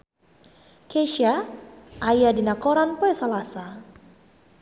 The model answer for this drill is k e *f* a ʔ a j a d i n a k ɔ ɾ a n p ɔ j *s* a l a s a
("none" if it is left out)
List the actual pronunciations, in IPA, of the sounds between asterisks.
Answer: ʃ, s

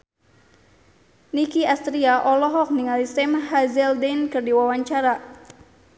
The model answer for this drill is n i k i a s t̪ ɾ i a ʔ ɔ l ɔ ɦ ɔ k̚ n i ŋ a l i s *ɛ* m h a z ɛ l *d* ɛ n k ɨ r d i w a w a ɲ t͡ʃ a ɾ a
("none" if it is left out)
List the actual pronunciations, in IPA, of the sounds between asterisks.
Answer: ɛ, d

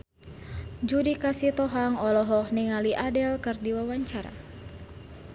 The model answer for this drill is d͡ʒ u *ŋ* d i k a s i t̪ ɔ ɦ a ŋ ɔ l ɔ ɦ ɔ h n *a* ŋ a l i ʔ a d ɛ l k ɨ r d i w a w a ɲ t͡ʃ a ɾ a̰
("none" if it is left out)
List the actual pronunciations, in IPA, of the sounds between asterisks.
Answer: none, i

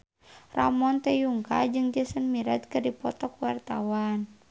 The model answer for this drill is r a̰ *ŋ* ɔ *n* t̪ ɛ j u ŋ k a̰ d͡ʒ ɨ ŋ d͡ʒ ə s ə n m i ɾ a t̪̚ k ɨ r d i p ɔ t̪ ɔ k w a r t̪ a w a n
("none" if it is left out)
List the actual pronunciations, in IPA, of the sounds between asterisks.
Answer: m, n

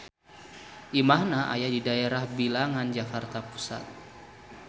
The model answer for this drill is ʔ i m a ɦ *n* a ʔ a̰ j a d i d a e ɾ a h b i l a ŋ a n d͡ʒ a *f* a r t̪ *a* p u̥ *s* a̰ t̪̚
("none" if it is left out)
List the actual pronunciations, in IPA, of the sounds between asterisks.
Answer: n, f, a, s

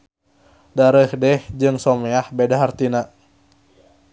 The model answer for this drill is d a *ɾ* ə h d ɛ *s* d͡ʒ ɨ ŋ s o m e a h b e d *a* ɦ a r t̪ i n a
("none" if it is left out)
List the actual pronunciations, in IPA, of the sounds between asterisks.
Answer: ɾ, h, a

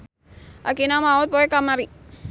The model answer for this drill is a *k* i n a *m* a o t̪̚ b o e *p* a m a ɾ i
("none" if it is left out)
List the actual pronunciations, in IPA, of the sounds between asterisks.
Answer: k, m, k

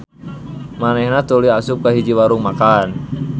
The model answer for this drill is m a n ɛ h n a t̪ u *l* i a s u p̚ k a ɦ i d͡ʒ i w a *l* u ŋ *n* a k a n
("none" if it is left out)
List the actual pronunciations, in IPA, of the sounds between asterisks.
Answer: l, ɾ, m

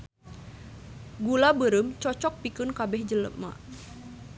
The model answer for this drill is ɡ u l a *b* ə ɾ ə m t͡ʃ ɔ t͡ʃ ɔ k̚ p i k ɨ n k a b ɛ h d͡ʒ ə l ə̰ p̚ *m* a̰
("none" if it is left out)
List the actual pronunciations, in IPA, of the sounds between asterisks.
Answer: b, m

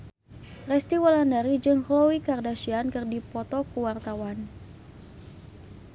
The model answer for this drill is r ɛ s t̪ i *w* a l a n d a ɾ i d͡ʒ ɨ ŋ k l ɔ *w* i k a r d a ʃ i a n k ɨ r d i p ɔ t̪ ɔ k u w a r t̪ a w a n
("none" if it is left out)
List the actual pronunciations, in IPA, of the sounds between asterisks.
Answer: w, w

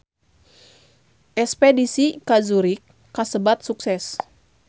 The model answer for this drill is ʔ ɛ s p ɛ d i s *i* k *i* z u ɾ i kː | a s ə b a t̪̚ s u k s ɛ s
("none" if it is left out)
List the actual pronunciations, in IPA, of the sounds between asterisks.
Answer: i, a

